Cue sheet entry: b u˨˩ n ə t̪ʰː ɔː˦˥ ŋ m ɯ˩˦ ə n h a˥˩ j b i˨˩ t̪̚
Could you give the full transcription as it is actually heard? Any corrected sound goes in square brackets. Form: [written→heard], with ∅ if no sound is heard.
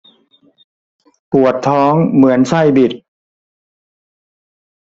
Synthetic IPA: [b→p] u˨˩ [n→∅] ə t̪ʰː ɔː˦˥ ŋ m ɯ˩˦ ə n [h→s] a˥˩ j b i˨˩ t̪̚

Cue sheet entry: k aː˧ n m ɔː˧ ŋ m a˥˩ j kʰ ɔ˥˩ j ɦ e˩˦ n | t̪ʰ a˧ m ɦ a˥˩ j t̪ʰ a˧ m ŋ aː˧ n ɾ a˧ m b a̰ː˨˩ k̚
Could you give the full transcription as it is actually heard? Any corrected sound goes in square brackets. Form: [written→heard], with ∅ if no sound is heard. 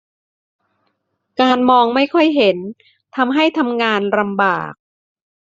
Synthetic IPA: k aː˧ n m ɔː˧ ŋ m a˥˩ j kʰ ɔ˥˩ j ɦ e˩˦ n | t̪ʰ a˧ m ɦ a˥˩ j t̪ʰ a˧ m ŋ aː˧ n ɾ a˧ m b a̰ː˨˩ k̚

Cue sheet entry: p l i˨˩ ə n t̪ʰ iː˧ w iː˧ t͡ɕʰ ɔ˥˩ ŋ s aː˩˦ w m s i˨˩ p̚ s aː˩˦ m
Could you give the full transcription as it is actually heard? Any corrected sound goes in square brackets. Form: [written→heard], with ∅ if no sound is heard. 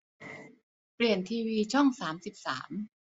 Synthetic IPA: p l i˨˩ ə n t̪ʰ iː˧ w iː˧ t͡ɕʰ ɔ˥˩ ŋ s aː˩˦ [w→∅] m s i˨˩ p̚ s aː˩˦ m

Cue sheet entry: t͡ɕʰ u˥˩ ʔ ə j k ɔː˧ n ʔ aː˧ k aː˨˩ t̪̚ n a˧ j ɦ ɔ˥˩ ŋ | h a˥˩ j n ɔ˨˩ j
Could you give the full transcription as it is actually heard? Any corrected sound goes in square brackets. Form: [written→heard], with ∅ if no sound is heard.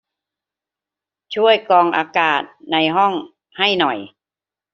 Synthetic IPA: t͡ɕʰ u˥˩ [ʔ→∅] ə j k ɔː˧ [n→ŋ] ʔ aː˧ k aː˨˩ t̪̚ n a˧ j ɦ ɔ˥˩ ŋ | h a˥˩ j n ɔ˨˩ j

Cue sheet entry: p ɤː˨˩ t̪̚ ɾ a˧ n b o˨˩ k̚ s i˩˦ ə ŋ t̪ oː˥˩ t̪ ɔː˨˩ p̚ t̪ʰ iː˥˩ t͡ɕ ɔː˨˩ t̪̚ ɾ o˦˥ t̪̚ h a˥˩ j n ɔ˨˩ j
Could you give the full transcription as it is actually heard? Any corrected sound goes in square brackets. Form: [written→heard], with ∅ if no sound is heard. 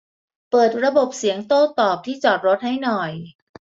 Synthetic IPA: p ɤː˨˩ t̪̚ ɾ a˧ [n→∅] b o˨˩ [k̚→p̚] s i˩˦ ə ŋ t̪ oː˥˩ t̪ ɔː˨˩ p̚ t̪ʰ iː˥˩ t͡ɕ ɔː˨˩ t̪̚ ɾ o˦˥ t̪̚ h a˥˩ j n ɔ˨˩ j

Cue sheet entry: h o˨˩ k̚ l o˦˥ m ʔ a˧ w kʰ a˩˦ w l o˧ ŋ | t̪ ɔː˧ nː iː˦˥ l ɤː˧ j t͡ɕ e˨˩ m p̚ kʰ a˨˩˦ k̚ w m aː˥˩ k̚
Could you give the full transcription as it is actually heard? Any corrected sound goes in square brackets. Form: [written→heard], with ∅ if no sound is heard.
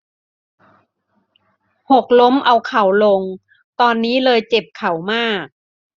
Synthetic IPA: h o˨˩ k̚ l o˦˥ m ʔ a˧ w kʰ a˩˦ w l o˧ ŋ | t̪ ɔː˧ nː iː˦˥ l ɤː˧ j t͡ɕ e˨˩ [m→∅] p̚ kʰ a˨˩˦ [k̚→∅] w m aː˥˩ k̚

